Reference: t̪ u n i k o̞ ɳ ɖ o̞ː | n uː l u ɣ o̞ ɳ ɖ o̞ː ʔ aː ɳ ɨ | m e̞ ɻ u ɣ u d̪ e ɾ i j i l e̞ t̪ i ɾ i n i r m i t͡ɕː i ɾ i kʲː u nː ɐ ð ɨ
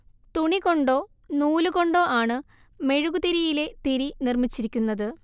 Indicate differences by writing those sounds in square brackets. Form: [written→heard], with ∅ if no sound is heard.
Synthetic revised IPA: t̪ u [n→ɳ] i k o̞ ɳ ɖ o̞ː | n uː l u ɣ o̞ ɳ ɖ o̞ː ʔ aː ɳ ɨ | m e̞ ɻ u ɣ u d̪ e ɾ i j i l e̞ t̪ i ɾ i n i r m i t͡ɕː i ɾ i kʲː u nː ɐ ð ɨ